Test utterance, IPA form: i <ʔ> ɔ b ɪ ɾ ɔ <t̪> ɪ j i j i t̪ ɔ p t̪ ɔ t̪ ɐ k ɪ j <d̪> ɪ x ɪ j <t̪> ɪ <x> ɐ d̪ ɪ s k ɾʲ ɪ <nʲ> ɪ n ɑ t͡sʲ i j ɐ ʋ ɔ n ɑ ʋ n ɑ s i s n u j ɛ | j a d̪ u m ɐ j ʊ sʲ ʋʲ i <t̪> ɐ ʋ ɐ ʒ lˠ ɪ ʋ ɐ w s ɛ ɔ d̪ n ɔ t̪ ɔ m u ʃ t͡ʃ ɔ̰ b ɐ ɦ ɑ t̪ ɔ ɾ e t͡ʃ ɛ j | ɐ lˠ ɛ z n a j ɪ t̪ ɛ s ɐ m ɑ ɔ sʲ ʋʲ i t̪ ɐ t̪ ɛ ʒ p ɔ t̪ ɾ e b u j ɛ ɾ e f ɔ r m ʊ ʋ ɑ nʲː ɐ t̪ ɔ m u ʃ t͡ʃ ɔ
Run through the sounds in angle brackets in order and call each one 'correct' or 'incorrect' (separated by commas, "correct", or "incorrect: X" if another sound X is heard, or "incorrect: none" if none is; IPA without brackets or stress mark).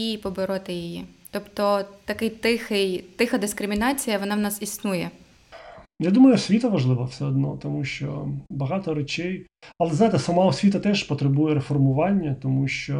incorrect: p, correct, incorrect: t̪, correct, correct, incorrect: mʲ, correct